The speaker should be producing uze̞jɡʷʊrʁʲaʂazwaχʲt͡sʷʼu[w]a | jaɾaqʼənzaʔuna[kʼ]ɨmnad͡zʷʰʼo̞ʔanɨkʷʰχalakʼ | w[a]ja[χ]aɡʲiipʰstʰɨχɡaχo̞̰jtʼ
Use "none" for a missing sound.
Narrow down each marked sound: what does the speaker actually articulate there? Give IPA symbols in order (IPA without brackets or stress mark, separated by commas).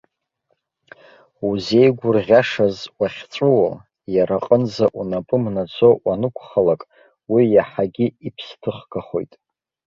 w, pʼ, i, ħ